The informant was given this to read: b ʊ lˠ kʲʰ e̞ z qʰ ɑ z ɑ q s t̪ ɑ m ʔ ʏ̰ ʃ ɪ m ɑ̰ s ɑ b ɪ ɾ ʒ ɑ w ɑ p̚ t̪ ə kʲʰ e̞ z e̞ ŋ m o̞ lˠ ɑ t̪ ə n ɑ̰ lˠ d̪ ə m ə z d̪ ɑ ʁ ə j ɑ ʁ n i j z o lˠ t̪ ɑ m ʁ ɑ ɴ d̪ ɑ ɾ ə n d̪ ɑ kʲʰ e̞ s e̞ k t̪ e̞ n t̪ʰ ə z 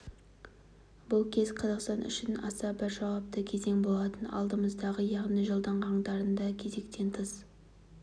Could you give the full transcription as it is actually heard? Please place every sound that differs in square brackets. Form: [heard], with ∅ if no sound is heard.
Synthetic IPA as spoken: b ʊ lˠ kʲʰ e̞ z qʰ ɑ z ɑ q s t̪ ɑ [n] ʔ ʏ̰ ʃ ɪ [n] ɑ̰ s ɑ b ɪ ɾ ʒ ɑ w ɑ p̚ t̪ ə kʲʰ e̞ z e̞ ŋ [b] o̞ lˠ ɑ t̪ ə n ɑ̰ lˠ d̪ ə m ə z d̪ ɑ ʁ ə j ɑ ʁ n i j [ʒ] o lˠ [d̪] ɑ [ɴ] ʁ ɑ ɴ d̪ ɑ ɾ ə n d̪ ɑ kʲʰ e̞ [z] e̞ k t̪ e̞ n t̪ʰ ə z

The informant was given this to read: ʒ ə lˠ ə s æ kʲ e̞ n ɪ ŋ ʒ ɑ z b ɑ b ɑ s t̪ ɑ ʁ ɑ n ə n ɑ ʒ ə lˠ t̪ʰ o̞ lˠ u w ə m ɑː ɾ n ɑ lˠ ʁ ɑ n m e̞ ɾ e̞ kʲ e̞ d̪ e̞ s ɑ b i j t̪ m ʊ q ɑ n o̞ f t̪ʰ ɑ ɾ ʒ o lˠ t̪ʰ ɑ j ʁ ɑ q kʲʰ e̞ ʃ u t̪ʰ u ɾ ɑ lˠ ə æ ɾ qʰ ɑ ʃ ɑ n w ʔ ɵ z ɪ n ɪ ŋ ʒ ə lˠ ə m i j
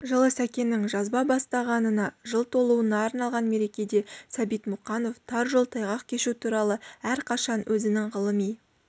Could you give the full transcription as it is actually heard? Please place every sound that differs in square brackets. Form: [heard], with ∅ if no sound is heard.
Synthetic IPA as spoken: ʒ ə lˠ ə s æ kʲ e̞ n ɪ ŋ ʒ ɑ z b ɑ b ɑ s t̪ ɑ ʁ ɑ n ə n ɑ ʒ ə lˠ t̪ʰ o̞ lˠ u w ə [n] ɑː ɾ n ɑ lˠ ʁ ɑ n m e̞ ɾ e̞ kʲ e̞ d̪ e̞ s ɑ b i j t̪ m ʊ q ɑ n o̞ f t̪ʰ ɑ ɾ ʒ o lˠ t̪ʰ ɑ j ʁ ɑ q kʲʰ e̞ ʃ u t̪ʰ u ɾ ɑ lˠ ə æ ɾ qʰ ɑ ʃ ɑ n w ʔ ɵ z ɪ n ɪ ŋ [ʁ] ə lˠ ə m i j

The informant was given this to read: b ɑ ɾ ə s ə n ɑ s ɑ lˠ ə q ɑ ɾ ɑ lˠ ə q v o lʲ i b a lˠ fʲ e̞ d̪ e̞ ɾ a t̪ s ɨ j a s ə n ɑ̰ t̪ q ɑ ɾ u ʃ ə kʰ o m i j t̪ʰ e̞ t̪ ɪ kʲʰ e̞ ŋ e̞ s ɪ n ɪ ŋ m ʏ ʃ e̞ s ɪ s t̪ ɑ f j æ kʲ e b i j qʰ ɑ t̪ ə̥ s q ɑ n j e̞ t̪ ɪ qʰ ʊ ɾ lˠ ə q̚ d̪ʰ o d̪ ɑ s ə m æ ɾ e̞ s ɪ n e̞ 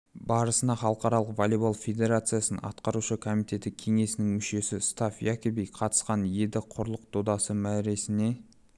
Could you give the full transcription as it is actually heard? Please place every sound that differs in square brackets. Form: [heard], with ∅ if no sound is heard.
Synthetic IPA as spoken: b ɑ ɾ ə s ə n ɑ [χ] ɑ lˠ ə q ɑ ɾ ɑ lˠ ə q v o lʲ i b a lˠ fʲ e̞ d̪ e̞ ɾ a t̪ s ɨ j a s ə n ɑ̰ t̪ q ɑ ɾ u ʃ ə kʰ o m i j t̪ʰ e̞ t̪ ɪ kʲʰ e̞ ŋ e̞ s ɪ n ɪ ŋ m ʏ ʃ e̞ s ɪ s t̪ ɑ f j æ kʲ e b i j qʰ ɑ t̪ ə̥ s q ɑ n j e̞ [d̪] ɪ qʰ ʊ ɾ lˠ ə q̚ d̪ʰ o d̪ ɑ s ə m æ ɾ e̞ s ɪ n e̞

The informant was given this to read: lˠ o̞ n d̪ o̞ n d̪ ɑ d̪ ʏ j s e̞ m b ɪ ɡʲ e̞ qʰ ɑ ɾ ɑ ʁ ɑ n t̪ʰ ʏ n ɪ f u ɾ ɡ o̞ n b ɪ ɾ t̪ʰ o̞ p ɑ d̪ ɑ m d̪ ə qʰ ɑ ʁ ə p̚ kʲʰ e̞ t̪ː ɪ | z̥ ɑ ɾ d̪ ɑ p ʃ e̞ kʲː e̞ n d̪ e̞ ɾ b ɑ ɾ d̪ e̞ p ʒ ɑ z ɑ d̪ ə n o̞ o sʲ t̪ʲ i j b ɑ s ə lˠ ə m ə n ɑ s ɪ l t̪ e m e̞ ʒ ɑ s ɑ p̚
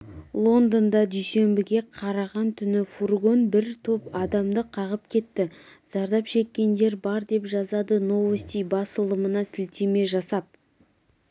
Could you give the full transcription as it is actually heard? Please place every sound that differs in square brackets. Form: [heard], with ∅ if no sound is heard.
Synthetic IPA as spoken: lˠ o̞ n d̪ o̞ n d̪ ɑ d̪ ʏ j s e̞ m b ɪ ɡʲ e̞ qʰ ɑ ɾ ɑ ʁ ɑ n t̪ʰ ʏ n ɪ f u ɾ ɡ o̞ n b ɪ ɾ t̪ʰ o̞ p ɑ d̪ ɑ m d̪ ə qʰ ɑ ʁ ə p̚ kʲʰ e̞ t̪ː ɪ | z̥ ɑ ɾ d̪ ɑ p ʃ e̞ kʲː e̞ n d̪ e̞ ɾ b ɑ ɾ d̪ e̞ p ʒ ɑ z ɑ d̪ ə n o̞ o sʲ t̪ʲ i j b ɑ s ə lˠ ə m ə n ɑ s ɪ l t̪ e m e̞ ʒ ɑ s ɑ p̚

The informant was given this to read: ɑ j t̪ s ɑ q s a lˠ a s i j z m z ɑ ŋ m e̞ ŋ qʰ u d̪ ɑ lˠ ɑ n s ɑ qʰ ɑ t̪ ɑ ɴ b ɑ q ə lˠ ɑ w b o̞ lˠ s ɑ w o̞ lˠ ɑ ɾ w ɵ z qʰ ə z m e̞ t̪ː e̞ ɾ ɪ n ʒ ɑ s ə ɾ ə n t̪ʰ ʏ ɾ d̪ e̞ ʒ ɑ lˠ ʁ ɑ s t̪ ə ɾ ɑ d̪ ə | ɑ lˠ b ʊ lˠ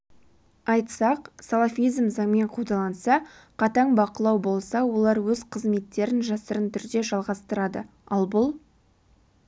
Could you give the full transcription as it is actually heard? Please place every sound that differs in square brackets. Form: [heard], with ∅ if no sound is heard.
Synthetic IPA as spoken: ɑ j t̪ s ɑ q s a lˠ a [f] i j z m z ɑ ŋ m e̞ [ɴ] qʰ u d̪ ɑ lˠ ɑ n s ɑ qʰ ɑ t̪ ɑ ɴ b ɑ q ə lˠ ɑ w b o̞ lˠ s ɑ w o̞ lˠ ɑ ɾ w ɵ z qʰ ə z m e̞ t̪ː e̞ ɾ ɪ n ʒ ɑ s ə ɾ ə n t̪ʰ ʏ ɾ d̪ e̞ ʒ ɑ lˠ ʁ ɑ s t̪ ə ɾ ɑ d̪ ə | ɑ lˠ b ʊ lˠ

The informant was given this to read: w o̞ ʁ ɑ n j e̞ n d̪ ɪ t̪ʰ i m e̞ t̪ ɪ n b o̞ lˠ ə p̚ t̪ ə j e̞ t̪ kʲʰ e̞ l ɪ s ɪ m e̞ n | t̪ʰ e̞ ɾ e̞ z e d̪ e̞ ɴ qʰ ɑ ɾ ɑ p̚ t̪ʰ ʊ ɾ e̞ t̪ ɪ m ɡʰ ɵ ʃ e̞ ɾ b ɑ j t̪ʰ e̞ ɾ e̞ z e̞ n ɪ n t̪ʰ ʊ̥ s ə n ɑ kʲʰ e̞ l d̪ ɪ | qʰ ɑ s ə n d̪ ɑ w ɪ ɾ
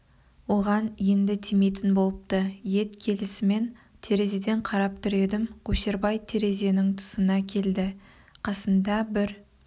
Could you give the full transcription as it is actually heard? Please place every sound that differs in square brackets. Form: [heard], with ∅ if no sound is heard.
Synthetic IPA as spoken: w o̞ ʁ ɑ n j e̞ n d̪ ɪ t̪ʰ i m e̞ t̪ ɪ n b o̞ lˠ ə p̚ t̪ ə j e̞ t̪ kʲʰ e̞ l ɪ s ɪ m e̞ n | t̪ʰ e̞ ɾ e̞ z e d̪ e̞ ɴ qʰ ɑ ɾ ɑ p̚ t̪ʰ ʊ ɾ e̞ [d̪] ɪ m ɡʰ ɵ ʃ e̞ ɾ b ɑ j t̪ʰ e̞ ɾ e̞ z e̞ n ɪ [ŋ] t̪ʰ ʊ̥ s ə n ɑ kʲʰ e̞ l d̪ ɪ | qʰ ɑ s ə n d̪ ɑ [b] ɪ ɾ

